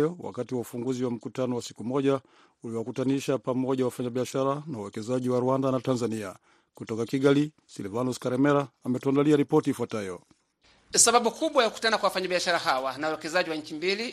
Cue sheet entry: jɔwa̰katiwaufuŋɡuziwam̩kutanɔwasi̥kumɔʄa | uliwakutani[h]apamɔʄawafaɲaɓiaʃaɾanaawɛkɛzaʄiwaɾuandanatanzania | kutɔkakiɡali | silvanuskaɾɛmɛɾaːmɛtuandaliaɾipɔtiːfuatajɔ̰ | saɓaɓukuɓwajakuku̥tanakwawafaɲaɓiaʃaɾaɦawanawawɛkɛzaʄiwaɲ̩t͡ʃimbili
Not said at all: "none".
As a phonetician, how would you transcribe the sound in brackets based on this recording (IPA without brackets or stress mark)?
ʃ